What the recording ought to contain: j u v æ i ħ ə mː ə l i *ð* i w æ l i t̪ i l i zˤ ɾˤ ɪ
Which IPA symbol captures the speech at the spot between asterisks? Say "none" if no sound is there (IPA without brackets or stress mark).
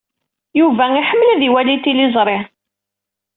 ð